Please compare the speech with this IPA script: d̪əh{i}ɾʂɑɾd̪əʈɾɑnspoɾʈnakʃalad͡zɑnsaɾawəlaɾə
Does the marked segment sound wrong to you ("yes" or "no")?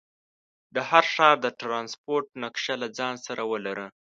yes